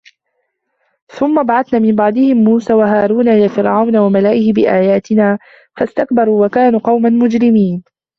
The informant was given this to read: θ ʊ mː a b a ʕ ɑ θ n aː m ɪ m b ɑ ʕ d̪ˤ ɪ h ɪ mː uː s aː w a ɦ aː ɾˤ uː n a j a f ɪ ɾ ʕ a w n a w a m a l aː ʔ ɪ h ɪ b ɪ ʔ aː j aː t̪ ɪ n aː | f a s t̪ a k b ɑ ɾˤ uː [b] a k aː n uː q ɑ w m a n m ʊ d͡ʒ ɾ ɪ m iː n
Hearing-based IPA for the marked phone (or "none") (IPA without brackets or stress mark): w